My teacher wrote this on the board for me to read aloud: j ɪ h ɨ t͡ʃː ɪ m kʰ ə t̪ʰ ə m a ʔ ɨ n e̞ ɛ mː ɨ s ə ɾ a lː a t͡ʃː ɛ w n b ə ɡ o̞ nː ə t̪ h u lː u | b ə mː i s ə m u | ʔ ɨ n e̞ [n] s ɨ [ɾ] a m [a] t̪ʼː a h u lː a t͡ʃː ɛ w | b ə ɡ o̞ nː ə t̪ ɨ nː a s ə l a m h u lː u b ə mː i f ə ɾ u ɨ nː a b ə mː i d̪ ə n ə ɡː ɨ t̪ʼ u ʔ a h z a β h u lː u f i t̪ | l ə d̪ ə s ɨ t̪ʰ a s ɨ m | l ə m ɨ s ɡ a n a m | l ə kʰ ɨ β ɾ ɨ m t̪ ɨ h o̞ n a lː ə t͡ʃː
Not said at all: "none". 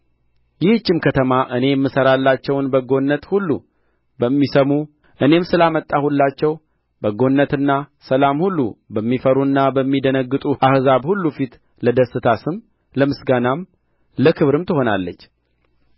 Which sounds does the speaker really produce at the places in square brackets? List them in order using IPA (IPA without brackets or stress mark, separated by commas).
m, l, ə